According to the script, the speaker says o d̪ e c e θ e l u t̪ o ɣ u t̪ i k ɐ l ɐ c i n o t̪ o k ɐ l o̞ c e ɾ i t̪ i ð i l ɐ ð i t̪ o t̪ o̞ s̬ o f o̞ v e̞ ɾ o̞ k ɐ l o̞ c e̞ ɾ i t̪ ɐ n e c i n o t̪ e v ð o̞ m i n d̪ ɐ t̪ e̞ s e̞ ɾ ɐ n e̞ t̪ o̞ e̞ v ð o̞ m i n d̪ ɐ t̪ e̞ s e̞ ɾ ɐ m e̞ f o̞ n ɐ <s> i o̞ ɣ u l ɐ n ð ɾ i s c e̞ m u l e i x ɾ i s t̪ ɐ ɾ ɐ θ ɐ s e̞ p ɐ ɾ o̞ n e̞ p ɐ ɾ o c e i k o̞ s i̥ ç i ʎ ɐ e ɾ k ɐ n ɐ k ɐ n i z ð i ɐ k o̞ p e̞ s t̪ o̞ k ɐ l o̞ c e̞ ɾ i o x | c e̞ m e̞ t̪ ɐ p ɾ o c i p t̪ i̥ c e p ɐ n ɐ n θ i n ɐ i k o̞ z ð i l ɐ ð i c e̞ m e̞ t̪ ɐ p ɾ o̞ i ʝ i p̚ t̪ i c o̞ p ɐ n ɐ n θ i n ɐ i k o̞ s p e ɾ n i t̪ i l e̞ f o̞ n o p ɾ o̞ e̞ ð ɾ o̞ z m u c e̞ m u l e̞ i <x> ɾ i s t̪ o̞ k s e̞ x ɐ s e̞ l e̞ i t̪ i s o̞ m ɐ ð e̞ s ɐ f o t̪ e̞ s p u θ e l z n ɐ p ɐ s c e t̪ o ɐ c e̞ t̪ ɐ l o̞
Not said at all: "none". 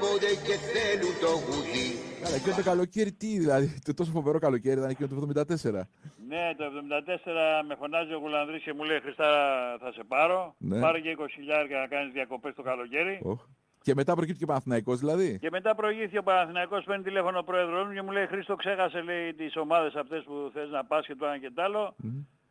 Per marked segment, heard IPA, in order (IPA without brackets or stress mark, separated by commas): z, x